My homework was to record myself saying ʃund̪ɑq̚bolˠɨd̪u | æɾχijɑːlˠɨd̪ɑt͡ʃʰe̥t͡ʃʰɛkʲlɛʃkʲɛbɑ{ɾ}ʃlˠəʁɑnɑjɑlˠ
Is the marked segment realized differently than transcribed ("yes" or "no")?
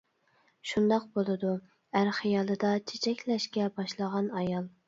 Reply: yes